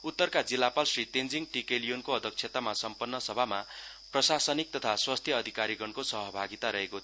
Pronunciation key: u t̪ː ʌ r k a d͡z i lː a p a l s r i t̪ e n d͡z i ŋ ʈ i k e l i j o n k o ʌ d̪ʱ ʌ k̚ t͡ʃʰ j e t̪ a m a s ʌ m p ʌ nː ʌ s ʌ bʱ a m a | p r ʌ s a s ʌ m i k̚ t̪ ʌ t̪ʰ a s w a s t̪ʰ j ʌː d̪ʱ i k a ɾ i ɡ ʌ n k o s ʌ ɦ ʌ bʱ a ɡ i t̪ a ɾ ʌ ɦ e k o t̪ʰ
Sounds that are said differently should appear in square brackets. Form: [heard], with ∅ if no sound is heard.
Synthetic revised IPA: u t̪ː ʌ r k a d͡z i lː a p a l s r i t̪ e n d͡z i ŋ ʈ i k e l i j o n k o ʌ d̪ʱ ʌ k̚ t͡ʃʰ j e t̪ a m a s ʌ m p ʌ nː ʌ s ʌ bʱ a m a | p r ʌ s a s ʌ [n] i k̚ t̪ ʌ t̪ʰ a s w a s t̪ʰ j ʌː d̪ʱ i k a ɾ i ɡ ʌ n k o s ʌ ɦ ʌ bʱ a ɡ i t̪ a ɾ ʌ ɦ e k o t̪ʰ